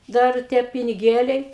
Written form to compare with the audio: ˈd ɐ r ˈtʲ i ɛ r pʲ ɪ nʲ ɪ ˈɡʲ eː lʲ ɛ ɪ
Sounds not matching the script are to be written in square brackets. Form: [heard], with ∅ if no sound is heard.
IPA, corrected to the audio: ˈd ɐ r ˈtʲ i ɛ [∅] pʲ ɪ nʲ ɪ ˈɡʲ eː lʲ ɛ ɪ